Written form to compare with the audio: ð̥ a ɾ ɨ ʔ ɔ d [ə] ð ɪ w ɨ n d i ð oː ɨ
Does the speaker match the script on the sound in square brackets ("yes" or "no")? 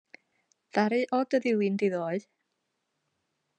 yes